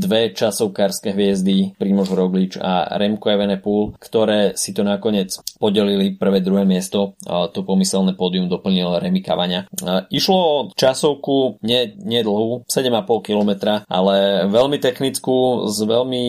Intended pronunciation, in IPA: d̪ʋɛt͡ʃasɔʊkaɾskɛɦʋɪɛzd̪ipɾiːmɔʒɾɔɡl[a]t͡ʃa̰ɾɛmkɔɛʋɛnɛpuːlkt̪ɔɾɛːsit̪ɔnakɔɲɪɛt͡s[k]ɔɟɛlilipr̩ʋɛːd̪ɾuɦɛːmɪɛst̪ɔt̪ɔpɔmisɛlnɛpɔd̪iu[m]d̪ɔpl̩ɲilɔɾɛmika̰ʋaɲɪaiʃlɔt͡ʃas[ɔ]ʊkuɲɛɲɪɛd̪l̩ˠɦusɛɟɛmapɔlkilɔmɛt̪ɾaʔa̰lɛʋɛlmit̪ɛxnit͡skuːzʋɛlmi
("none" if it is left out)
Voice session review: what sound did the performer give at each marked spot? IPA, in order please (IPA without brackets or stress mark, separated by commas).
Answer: i, p, m, ɔ